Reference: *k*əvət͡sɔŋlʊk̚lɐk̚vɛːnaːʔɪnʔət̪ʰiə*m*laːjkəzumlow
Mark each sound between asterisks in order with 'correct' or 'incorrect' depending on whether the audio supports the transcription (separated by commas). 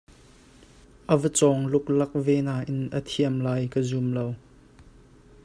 incorrect, correct